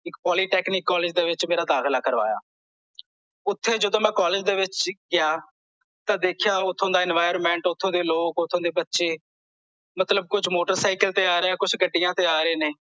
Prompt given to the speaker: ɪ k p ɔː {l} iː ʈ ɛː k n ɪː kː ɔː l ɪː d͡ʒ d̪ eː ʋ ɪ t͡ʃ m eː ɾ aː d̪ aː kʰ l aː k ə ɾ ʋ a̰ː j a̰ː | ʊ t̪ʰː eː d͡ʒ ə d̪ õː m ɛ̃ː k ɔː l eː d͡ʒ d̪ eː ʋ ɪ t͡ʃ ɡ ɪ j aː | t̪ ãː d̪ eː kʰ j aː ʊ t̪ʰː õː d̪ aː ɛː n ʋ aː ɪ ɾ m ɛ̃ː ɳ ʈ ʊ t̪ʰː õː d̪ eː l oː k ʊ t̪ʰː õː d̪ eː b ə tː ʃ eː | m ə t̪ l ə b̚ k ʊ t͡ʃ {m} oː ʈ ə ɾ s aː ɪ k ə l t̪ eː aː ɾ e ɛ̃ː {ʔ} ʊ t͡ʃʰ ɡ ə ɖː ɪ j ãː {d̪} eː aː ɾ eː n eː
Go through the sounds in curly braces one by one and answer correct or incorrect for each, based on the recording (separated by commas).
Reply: correct, correct, incorrect, incorrect